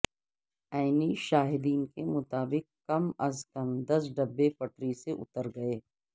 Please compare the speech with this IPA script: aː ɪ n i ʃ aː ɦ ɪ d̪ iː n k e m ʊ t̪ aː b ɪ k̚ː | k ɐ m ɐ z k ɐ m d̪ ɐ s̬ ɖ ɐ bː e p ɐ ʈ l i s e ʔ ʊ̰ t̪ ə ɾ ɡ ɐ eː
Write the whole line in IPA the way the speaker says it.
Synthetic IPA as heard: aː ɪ n i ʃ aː ɦ ɪ d̪ iː n k e m ʊ t̪ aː b ɪ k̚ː | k ɐ m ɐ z k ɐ m d̪ ɐ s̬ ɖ ɐ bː e p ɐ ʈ ɾ i s e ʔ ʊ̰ t̪ ə ɾ ɡ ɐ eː